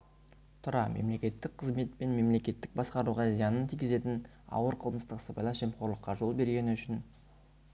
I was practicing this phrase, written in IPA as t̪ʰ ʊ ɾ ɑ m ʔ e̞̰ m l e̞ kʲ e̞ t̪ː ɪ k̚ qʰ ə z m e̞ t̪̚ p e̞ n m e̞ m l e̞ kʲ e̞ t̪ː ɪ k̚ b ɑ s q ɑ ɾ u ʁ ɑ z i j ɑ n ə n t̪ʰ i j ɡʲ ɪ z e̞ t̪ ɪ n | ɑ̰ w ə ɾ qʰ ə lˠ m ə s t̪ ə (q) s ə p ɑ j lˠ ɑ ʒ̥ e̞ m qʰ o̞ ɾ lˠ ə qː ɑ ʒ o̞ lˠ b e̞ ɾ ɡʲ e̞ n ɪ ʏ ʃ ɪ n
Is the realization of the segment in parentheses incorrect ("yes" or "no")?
no